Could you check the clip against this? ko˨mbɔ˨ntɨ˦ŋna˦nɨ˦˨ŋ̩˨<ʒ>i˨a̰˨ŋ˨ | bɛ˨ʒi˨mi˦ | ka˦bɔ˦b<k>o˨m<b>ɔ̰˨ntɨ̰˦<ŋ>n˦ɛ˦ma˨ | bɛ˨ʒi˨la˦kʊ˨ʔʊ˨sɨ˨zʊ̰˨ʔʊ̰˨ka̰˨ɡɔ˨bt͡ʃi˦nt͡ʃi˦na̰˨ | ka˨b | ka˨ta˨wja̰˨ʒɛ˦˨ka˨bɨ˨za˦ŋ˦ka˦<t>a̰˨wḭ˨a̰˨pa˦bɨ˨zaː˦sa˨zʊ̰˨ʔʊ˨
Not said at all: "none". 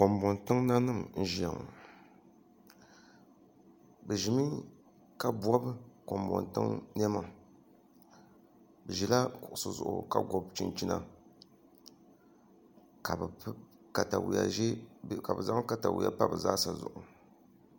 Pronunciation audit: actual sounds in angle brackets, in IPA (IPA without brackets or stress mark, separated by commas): ʒ, k, b, ŋ, t